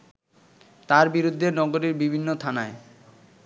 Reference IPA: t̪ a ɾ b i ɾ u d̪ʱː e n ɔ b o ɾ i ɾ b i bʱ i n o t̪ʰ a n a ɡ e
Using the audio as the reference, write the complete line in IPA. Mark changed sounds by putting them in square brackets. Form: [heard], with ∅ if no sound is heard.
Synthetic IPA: t̪ a ɾ b i ɾ u d̪ʱː e n ɔ [ɡ] o ɾ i ɾ b i bʱ i [nː] o t̪ʰ a n a [∅] e